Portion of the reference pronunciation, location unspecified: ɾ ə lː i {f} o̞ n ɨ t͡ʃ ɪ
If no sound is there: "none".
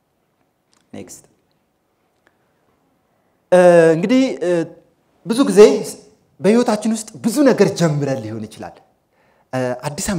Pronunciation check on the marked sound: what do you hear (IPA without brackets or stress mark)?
h